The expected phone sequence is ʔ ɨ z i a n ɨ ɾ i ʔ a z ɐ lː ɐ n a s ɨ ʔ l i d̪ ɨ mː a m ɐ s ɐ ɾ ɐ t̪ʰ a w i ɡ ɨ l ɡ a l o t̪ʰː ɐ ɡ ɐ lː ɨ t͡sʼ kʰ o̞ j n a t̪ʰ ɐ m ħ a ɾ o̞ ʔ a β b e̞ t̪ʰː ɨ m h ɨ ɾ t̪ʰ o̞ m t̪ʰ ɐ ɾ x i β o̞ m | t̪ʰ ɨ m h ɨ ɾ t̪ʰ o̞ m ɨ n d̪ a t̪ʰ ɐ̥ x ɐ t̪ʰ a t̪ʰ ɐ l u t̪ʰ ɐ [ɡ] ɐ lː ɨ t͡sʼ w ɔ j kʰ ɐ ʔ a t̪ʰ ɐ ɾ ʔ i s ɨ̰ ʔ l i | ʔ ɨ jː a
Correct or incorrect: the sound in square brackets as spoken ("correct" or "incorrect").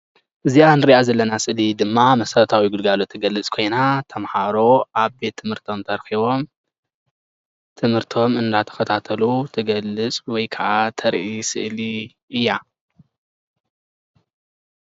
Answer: correct